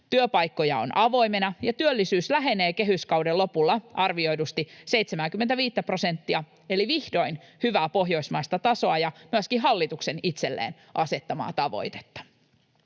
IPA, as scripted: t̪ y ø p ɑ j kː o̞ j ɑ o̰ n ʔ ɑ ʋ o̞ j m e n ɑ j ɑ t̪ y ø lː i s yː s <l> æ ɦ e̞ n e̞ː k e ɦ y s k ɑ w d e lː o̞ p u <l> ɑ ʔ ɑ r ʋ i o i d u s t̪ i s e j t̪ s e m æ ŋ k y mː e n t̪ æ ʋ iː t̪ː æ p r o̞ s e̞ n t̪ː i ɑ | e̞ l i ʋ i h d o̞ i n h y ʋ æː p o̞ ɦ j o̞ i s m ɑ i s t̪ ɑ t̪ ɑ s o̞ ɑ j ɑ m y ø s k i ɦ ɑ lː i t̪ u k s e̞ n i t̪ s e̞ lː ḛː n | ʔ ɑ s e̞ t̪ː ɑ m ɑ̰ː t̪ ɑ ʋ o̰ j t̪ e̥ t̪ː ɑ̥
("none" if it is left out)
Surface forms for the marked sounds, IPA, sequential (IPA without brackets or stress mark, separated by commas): l, lː